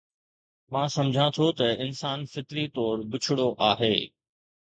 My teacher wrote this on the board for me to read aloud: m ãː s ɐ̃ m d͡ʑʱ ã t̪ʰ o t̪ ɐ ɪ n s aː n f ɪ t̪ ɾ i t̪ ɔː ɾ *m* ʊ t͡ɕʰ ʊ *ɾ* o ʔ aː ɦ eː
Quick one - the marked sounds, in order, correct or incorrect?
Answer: incorrect: b, incorrect: ɽ

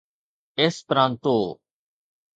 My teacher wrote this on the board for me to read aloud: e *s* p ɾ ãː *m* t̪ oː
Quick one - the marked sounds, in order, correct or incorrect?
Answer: correct, incorrect: n

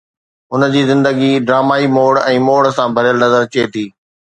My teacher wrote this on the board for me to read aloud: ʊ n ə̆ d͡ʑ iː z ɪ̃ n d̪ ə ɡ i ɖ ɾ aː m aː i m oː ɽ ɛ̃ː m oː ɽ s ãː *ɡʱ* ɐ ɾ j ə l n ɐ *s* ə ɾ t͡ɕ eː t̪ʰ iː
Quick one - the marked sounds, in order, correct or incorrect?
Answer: incorrect: bʱ, incorrect: z

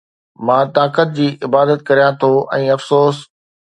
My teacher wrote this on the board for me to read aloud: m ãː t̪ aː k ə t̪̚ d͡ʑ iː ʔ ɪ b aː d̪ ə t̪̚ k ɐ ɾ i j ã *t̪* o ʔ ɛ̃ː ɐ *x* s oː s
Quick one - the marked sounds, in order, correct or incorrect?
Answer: incorrect: t̪ʰ, incorrect: f

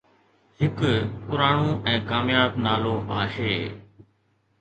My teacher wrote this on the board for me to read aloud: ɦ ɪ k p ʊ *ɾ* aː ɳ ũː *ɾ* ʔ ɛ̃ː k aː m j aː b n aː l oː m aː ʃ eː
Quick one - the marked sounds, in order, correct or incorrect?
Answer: correct, incorrect: none

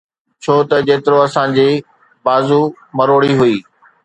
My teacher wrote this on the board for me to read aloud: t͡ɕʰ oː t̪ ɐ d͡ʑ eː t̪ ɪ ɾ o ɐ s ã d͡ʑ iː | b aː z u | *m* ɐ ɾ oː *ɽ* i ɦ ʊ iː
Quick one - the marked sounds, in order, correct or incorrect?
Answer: correct, correct

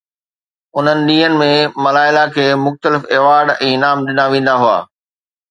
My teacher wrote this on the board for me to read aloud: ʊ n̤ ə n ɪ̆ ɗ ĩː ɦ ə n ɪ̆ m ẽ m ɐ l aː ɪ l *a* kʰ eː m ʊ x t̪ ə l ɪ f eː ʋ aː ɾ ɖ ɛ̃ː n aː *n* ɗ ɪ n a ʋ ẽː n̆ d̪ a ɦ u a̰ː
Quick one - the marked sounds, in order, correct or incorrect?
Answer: correct, incorrect: m

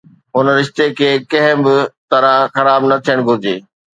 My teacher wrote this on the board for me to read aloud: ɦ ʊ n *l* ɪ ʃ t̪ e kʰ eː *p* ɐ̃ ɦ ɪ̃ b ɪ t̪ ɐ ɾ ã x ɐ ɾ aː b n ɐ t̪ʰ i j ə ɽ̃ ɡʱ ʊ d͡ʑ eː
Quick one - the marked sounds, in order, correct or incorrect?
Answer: incorrect: ɾ, incorrect: k

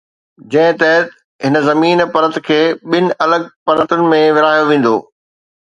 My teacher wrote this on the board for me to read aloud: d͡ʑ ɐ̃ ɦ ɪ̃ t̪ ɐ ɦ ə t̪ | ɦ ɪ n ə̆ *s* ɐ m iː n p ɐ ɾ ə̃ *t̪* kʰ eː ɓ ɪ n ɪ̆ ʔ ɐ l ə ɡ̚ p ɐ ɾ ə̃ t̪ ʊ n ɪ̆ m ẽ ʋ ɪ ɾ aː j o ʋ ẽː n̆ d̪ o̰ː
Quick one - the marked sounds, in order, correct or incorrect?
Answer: incorrect: z, correct

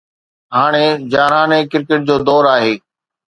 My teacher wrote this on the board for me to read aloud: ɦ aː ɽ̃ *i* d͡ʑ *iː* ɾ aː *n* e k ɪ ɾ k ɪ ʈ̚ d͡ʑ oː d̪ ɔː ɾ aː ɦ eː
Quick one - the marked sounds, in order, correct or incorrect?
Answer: incorrect: e, incorrect: aː, correct

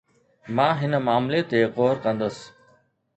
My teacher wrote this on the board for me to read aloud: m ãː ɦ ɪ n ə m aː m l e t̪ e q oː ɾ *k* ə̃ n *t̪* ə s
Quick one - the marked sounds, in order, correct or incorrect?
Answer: correct, incorrect: d̪

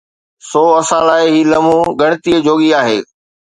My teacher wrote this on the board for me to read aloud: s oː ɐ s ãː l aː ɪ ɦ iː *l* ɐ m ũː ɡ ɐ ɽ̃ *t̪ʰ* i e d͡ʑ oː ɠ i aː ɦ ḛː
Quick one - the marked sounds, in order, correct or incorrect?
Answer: correct, incorrect: t̪

